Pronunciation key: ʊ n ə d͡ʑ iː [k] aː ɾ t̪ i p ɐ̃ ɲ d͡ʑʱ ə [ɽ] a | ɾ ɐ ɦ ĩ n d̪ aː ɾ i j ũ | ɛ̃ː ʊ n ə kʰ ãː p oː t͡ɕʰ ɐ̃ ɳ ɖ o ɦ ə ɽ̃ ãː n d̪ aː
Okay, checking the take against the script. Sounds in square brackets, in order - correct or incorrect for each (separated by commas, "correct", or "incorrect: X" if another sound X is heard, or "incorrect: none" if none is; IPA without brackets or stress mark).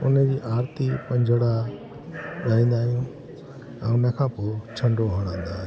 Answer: incorrect: ʔ, correct